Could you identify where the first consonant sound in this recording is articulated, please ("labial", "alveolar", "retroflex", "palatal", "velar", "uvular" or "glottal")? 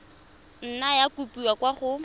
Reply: alveolar